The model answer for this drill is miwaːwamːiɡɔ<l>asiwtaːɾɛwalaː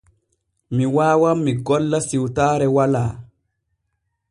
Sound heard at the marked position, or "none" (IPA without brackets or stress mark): lː